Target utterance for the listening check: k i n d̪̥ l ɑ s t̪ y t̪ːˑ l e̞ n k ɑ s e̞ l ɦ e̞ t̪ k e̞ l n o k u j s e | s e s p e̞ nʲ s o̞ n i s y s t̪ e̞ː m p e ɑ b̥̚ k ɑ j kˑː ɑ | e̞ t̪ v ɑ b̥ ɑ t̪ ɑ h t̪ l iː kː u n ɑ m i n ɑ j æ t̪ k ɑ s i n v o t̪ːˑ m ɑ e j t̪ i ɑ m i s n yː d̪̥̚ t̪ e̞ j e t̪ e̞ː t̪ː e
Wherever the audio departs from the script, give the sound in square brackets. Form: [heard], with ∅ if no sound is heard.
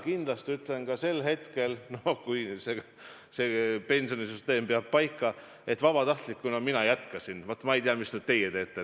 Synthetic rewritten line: k i n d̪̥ l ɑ s t̪ y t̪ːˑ l e̞ n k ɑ s e̞ l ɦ e̞ t̪ k e̞ l n o k u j s e | s e [∅] p e̞ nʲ s o̞ n i s y s t̪ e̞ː m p e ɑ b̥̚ [p] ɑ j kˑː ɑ | e̞ t̪ v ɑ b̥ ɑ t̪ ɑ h t̪ l [i] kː u n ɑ m i n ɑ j æ t̪ k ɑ s i n v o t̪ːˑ m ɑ e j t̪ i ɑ m i s n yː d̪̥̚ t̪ e̞ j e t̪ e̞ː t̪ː e